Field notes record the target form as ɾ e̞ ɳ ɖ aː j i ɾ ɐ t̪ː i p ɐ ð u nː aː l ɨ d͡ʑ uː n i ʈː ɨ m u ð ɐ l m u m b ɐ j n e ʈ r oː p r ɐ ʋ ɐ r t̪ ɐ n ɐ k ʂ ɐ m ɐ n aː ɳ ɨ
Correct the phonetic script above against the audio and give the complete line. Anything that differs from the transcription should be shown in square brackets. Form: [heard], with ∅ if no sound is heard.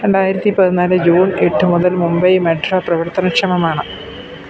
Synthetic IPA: ɾ e̞ ɳ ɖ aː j i ɾ ɐ t̪ː i p ɐ ð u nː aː l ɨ d͡ʑ uː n [e] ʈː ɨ m u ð ɐ l m u m b ɐ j [m] e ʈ r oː p r ɐ ʋ ɐ r t̪ ɐ n ɐ k ʂ ɐ m ɐ [m] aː ɳ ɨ